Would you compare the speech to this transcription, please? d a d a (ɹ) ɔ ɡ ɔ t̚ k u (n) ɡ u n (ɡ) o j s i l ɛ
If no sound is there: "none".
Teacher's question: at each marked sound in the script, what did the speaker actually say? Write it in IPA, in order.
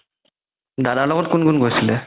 l, n, ɡ

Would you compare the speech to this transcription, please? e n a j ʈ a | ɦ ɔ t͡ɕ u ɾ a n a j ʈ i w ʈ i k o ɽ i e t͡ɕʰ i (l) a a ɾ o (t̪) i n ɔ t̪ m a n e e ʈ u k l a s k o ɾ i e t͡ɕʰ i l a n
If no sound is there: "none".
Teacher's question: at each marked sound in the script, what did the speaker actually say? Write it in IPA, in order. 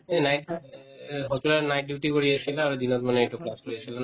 l, d̪

